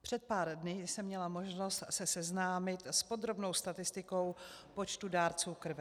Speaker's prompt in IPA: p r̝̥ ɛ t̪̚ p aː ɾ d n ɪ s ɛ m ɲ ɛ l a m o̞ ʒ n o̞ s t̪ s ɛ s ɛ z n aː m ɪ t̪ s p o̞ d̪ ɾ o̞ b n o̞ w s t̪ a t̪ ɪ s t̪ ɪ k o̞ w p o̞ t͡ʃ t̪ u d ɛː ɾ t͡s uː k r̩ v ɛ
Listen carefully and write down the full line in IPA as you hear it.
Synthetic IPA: p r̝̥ ɛ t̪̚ p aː ɾ d n ɪ s ɛ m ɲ ɛ l a m o̞ ʒ n o̞ s t̪ s ɛ s ɛ z n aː m ɪ t̪ s p o̞ d̪ ɾ o̞ b n o̞ w s t̪ a t̪ ɪ s t̪ ɪ k o̞ w p o̞ t͡ʃ t̪ u d aː ɾ t͡s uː k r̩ v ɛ